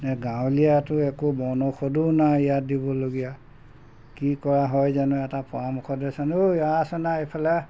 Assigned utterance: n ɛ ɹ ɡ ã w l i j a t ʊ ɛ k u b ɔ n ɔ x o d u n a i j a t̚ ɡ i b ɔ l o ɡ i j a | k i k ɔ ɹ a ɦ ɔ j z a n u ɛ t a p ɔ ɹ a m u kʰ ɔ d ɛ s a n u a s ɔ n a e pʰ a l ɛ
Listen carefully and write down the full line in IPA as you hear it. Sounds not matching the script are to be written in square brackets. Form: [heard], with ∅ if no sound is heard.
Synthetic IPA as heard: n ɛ [∅] ɡ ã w l i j a t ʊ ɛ k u b ɔ n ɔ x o d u n a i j a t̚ [d] i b ɔ l o ɡ i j a | k i k ɔ ɹ a ɦ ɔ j z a n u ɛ t a p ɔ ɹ a m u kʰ ɔ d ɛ s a n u a s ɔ n a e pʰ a l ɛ